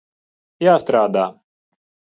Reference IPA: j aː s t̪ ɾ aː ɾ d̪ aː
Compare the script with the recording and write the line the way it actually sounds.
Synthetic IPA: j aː s t̪ ɾ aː d̪ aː